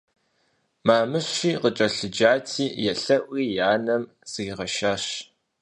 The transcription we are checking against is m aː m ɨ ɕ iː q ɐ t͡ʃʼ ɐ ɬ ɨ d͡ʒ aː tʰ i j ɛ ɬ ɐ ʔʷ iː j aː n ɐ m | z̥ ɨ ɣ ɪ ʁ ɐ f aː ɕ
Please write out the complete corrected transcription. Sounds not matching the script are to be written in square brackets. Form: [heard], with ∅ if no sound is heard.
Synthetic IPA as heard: m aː m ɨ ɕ iː q [ə] t͡ʃʼ ɐ ɬ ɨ d͡ʒ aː tʰ [iː] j ɛ ɬ ɐ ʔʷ iː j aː n ɐ m | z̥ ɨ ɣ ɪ ʁ ɐ [ʃ] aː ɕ